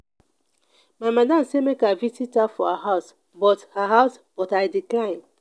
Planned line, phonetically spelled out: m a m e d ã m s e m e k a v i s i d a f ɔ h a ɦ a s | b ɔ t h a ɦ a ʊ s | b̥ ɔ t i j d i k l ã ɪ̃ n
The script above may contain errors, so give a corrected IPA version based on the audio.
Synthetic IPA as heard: m a m a d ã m s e m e k a v i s i t a f ɔ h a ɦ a s | b ɔ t h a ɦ a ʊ s | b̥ ɔ t a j d i k l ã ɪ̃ n